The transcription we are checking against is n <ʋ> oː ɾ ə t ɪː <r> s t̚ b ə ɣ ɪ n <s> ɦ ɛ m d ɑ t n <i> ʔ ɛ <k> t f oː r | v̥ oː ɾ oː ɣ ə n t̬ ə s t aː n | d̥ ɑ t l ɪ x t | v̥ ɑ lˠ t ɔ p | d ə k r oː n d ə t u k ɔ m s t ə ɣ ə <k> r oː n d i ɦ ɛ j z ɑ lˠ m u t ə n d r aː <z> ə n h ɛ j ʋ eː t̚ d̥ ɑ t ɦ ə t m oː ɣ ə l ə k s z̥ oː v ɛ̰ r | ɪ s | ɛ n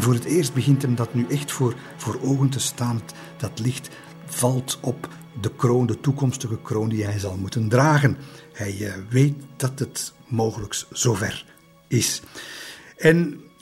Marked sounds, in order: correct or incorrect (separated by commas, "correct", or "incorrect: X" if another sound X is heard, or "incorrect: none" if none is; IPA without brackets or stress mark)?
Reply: incorrect: v, correct, incorrect: t, incorrect: y, incorrect: x, correct, incorrect: ɣ